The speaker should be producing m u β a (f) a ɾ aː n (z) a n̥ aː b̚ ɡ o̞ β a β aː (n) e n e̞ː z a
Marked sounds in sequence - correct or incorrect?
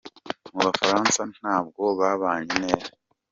correct, incorrect, incorrect

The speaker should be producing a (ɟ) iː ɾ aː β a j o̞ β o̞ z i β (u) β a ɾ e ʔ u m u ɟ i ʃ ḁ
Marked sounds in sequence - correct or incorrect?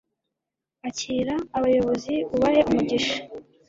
incorrect, correct

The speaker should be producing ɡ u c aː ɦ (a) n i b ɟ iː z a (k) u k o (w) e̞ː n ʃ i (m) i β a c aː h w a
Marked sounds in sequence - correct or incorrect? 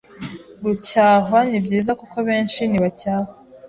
correct, correct, incorrect, incorrect

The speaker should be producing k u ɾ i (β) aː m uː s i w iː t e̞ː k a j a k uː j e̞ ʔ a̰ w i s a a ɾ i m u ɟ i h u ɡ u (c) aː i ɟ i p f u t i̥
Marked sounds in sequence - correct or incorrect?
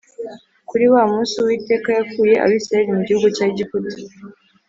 incorrect, correct

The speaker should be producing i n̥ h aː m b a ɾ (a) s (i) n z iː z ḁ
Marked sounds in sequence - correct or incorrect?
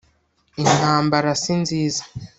correct, correct

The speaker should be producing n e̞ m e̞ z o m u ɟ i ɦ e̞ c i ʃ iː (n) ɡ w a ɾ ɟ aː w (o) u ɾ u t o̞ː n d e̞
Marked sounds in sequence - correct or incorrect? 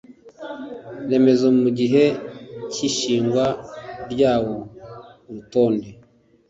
incorrect, correct

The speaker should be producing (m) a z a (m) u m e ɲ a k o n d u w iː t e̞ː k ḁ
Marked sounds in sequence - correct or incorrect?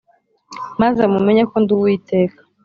correct, correct

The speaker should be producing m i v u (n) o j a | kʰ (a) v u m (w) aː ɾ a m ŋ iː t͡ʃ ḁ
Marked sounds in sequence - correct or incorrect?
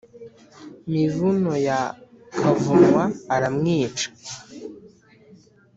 correct, correct, correct

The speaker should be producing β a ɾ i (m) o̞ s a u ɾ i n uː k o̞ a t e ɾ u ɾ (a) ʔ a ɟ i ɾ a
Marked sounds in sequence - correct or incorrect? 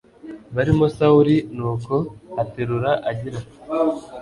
correct, correct

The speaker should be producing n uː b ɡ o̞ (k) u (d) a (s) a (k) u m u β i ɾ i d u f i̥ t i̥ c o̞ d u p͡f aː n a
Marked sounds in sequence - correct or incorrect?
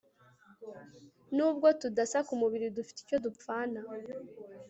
incorrect, correct, correct, correct

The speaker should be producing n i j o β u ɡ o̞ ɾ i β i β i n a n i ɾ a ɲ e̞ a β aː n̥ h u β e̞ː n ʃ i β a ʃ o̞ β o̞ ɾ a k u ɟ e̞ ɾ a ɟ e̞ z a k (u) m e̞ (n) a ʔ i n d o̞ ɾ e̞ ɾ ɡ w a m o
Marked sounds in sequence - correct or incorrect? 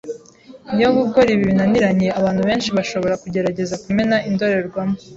correct, correct

